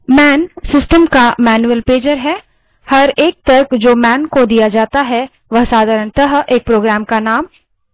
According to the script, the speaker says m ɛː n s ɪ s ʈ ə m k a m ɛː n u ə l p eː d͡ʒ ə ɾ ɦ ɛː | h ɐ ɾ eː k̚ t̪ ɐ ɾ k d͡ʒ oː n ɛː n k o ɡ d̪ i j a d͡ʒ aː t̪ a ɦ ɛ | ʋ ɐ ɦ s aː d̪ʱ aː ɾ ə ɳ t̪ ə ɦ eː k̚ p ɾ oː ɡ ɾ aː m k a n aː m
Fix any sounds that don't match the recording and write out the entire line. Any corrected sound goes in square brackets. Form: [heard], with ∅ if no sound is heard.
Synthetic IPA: m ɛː n s ɪ s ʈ ə m k a m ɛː n u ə l p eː d͡ʒ ə ɾ ɦ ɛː | h ɐ ɾ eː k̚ t̪ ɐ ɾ k d͡ʒ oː [m] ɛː n k o [∅] d̪ i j a d͡ʒ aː t̪ a ɦ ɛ | ʋ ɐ ɦ s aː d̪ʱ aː ɾ ə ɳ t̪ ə ɦ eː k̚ p ɾ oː ɡ ɾ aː m k a n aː m

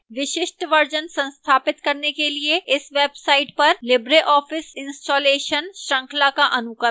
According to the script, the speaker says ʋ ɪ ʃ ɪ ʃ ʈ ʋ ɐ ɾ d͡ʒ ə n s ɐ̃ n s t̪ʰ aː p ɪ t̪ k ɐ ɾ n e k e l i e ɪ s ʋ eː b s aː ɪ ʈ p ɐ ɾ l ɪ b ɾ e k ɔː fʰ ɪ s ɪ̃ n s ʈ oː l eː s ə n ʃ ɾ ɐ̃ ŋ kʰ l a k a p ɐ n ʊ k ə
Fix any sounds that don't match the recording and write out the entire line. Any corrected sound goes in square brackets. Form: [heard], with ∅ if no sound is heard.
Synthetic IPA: ʋ ɪ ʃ ɪ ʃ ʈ ʋ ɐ ɾ d͡ʒ ə n s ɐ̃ n s t̪ʰ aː p ɪ t̪ k ɐ ɾ n e k e l i e ɪ s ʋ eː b s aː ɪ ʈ p ɐ ɾ l ɪ b ɾ e [ʔ] ɔː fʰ ɪ s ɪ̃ n s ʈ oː l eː [ʃ] ə n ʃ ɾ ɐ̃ ŋ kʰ l a k a [ʔ] ɐ n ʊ k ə

